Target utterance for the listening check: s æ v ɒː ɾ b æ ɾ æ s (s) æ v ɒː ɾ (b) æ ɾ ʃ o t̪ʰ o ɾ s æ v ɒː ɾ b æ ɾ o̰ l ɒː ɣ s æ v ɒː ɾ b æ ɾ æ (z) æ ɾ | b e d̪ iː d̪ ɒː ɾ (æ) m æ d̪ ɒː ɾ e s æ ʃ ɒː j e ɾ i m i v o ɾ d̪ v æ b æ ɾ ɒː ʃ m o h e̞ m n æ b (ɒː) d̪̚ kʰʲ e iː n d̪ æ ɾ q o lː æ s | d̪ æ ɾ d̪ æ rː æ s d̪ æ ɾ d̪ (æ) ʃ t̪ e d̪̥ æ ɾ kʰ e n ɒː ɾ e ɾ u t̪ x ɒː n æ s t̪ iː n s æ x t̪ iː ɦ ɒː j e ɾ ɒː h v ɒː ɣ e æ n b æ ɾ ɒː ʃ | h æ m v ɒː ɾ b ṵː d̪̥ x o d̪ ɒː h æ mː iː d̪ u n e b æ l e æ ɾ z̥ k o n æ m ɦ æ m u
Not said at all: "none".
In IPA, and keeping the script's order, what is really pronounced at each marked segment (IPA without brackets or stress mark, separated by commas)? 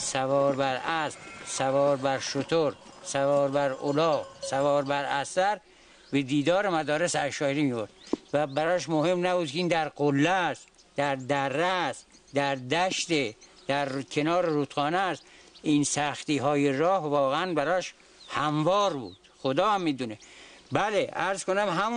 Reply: s, b, s, e, uː, æ